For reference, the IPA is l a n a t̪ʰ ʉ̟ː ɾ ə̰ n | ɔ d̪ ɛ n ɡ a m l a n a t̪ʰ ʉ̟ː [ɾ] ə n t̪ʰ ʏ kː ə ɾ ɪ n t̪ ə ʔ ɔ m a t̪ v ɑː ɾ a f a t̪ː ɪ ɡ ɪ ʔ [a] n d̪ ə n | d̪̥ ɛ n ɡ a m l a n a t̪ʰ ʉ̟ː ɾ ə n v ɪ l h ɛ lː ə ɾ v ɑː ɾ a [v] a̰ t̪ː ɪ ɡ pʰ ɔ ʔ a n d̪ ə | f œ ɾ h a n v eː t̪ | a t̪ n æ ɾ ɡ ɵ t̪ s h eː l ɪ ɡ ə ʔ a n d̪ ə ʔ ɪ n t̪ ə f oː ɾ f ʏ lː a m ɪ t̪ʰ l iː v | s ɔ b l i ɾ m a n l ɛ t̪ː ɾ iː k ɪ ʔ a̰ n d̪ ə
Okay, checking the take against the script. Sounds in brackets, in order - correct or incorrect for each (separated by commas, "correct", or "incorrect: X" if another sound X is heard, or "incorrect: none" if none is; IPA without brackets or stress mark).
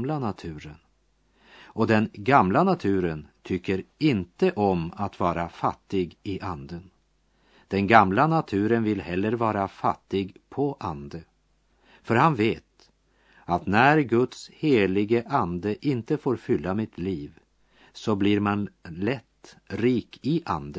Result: correct, correct, incorrect: f